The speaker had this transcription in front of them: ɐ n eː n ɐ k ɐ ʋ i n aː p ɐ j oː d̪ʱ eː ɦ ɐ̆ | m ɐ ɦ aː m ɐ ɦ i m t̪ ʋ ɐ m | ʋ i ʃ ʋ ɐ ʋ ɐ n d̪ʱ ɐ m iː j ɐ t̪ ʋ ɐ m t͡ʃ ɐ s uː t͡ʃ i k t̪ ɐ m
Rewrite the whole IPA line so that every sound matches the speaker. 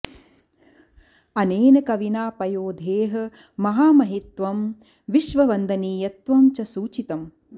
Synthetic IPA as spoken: ɐ n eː n ɐ k ɐ ʋ i n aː p ɐ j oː d̪ʱ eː ɦ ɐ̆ | m ɐ ɦ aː m ɐ ɦ i t̪ ʋ ɐ m | ʋ i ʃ ʋ ɐ ʋ ɐ n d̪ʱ ɐ n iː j ɐ t̪ ʋ ɐ m t͡ʃ ɐ s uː t͡ʃ i t̪ ɐ m